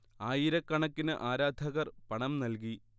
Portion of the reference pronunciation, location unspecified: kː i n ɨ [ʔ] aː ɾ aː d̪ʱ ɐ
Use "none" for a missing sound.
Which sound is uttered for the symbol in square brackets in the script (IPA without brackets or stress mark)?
ʔ